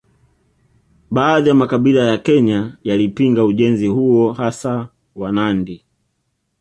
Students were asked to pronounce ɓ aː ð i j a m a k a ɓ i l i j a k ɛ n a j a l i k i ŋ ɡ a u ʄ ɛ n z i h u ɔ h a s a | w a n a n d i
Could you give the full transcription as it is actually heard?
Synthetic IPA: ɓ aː ð i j a m a k a ɓ i l a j a k ɛ ɲ a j a l i p i ŋ ɡ a u ʄ ɛ n z i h u ɔ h a s a | w a n a n d i